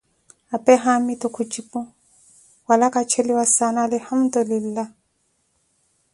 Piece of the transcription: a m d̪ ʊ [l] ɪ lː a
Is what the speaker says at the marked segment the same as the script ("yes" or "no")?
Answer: yes